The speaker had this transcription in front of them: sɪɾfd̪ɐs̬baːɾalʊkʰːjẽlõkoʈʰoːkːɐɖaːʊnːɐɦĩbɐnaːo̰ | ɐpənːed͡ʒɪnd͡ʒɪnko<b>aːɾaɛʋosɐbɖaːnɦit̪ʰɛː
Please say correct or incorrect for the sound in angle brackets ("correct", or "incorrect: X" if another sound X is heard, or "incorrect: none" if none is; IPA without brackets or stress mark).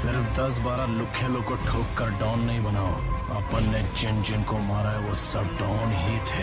incorrect: m